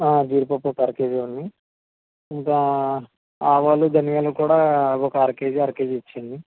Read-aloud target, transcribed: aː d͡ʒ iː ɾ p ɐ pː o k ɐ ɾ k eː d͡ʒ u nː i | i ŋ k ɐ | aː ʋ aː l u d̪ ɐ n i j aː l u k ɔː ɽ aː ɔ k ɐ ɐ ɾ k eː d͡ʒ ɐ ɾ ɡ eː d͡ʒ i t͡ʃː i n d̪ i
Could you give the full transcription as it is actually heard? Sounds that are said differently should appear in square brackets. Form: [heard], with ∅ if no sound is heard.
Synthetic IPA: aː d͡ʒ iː ɾ p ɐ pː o k ɐ ɾ k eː d͡ʒ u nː i | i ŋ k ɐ | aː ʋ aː l u d̪ ɐ n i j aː l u k [uː] ɽ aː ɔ k ɐ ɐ ɾ k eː d͡ʒ ɐ ɾ [k] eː d͡ʒ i t͡ʃː i n d̪ i